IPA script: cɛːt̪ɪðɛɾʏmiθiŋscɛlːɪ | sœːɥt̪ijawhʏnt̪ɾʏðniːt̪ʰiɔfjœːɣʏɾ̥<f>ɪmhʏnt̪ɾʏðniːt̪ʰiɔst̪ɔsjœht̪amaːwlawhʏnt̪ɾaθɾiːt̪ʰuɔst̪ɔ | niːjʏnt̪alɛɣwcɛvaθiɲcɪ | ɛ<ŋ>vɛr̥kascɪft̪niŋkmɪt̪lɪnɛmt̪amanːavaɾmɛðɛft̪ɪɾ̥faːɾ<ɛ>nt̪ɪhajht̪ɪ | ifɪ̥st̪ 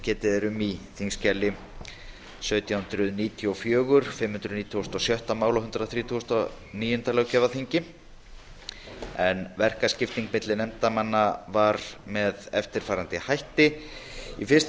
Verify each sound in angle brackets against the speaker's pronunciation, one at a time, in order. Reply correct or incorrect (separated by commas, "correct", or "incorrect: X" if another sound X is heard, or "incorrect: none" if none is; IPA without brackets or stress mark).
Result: correct, incorrect: n, incorrect: a